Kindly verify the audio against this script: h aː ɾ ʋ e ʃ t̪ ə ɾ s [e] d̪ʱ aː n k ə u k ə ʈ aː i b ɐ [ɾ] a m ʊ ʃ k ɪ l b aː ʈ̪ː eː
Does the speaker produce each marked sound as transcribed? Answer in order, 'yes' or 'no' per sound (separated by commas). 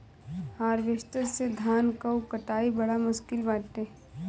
yes, no